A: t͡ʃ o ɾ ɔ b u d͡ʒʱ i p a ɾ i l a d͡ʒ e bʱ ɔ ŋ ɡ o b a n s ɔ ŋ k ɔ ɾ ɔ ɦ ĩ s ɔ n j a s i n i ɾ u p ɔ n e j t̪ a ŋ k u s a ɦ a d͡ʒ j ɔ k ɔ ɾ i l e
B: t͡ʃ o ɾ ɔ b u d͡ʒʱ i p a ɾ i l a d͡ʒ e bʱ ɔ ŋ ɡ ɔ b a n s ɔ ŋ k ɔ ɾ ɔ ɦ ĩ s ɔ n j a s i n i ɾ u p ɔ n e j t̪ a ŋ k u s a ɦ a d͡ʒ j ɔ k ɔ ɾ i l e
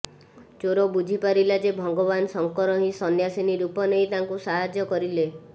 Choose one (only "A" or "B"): B